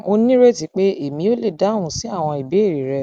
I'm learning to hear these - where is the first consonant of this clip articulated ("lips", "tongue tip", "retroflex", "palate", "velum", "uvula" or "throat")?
tongue tip